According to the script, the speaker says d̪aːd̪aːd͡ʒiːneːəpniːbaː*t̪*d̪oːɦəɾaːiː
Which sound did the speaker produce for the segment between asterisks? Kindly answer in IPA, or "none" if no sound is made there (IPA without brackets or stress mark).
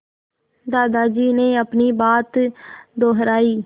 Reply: t̪